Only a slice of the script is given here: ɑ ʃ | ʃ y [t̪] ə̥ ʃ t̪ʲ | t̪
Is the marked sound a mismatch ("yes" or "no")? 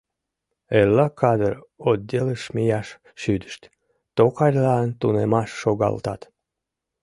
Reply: yes